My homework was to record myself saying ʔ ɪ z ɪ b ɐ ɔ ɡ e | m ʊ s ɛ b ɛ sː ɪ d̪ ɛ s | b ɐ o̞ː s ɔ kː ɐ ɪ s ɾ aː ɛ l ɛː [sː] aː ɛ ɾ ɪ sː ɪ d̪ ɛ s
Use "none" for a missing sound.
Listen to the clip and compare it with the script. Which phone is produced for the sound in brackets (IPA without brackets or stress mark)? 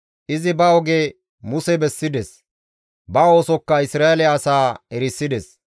s